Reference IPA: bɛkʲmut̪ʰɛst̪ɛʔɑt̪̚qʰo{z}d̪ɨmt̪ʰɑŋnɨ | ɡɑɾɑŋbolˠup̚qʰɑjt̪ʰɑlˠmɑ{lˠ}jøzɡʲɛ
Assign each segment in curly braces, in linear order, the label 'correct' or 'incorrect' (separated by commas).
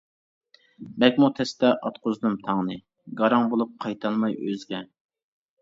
correct, incorrect